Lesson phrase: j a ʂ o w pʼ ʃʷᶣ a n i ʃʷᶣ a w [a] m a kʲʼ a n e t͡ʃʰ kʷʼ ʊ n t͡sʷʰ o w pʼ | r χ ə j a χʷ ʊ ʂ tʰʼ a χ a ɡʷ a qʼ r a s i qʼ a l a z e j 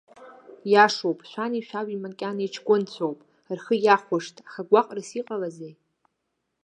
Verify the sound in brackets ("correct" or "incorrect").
incorrect